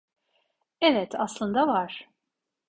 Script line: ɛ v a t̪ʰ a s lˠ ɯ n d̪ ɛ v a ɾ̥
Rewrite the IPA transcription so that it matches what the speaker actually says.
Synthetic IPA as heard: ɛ v ɛ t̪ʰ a s lˠ ɯ n d̪ a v a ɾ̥